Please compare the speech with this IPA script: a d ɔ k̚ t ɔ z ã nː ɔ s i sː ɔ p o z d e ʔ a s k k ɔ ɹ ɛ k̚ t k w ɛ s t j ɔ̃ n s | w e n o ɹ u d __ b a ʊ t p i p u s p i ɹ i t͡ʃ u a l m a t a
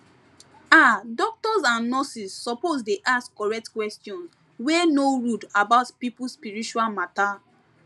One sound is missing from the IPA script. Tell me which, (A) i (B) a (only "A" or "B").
B